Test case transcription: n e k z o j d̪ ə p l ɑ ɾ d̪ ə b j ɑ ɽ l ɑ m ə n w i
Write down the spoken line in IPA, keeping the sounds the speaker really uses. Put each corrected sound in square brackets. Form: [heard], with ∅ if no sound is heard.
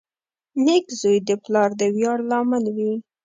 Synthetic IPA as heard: n e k z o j d̪ ə p l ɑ ɾ d̪ ə [w] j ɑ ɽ l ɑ m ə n w i